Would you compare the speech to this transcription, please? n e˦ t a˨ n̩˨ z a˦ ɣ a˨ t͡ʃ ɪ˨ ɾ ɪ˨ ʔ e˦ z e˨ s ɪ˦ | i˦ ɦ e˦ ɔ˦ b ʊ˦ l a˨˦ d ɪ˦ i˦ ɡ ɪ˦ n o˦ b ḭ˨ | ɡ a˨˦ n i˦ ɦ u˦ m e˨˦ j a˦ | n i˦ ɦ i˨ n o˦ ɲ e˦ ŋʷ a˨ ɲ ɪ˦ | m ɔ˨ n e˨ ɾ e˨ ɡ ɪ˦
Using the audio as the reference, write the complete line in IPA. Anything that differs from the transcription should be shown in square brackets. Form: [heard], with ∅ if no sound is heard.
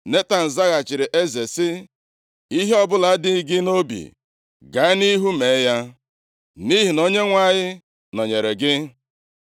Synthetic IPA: n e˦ t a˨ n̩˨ z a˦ ɣ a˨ t͡ʃ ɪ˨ ɾ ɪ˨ ʔ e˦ z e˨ s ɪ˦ | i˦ ɦ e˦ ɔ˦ b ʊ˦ l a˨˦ d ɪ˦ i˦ ɡ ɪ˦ n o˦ b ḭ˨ | ɡ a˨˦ n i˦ ɦ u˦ m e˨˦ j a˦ | n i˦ ɦ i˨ n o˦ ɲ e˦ ŋʷ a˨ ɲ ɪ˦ | [n] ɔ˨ [ɲ] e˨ ɾ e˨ ɡ ɪ˦